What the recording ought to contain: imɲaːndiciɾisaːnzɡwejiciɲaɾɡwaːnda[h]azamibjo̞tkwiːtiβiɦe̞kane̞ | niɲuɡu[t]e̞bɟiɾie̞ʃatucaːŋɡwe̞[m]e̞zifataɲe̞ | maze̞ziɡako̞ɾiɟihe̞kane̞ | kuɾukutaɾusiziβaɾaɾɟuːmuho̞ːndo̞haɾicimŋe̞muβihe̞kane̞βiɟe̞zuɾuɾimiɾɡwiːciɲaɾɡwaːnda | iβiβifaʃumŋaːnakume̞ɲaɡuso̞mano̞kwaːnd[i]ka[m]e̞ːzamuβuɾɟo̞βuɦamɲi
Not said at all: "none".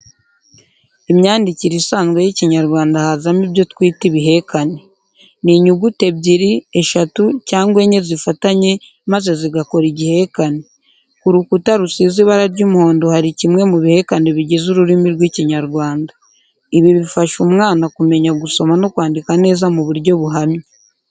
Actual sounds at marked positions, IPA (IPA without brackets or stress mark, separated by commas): h, t, ɲ, i, n